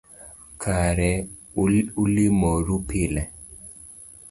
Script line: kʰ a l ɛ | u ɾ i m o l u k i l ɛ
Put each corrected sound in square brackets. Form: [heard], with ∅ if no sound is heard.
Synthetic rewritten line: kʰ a [ɾ] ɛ | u [l] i m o [ɾ] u [p] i l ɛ